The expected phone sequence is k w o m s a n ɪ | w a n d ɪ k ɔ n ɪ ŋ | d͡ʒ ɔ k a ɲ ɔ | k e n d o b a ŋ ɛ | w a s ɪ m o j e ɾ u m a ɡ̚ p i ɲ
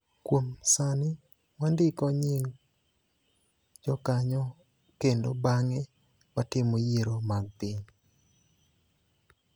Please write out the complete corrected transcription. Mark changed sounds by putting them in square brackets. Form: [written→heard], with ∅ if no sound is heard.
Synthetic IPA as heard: k w o m s a n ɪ | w a n d ɪ k ɔ [n→ɲ] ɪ ŋ | d͡ʒ ɔ k a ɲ ɔ | k e n d o b a ŋ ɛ | w a [s→t] ɪ m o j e ɾ [u→o] m a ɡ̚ p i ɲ